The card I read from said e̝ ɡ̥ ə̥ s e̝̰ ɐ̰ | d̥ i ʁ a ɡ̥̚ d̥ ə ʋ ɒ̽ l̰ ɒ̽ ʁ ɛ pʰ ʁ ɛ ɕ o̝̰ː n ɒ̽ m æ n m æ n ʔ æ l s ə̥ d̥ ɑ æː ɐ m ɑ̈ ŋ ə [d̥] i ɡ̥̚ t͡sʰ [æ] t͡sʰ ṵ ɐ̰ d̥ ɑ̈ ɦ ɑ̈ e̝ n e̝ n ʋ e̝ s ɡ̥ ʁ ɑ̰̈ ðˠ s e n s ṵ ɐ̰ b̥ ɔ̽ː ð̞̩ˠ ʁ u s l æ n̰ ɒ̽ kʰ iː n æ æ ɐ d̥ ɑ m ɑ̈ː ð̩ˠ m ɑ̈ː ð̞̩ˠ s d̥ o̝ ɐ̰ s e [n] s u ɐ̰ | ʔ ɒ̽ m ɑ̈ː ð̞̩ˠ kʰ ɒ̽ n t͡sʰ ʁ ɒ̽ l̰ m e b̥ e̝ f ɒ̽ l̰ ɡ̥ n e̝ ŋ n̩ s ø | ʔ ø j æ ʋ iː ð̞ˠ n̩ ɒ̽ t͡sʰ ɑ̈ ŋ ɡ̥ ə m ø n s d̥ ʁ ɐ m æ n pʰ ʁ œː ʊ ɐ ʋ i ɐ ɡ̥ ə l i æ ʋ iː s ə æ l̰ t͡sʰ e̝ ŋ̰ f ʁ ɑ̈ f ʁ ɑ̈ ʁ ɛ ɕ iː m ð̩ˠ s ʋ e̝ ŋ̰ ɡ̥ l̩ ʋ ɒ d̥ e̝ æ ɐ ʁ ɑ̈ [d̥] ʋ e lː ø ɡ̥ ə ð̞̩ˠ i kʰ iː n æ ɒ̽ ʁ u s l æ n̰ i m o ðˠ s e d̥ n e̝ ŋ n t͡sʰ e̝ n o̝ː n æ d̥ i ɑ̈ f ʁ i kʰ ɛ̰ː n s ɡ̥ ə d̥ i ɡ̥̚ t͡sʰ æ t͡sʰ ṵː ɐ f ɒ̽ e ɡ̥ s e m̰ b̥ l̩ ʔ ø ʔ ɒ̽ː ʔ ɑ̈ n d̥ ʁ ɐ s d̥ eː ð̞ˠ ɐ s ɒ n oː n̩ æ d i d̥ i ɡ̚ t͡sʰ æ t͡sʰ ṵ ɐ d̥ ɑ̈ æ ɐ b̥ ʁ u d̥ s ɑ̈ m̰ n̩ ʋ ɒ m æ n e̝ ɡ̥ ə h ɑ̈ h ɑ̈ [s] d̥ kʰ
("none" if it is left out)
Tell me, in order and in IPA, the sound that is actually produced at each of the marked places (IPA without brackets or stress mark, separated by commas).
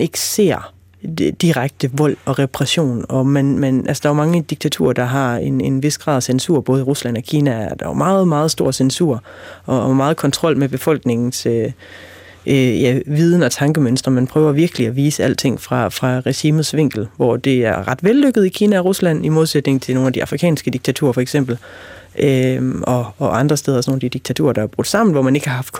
d̥, æ, n, d̥, f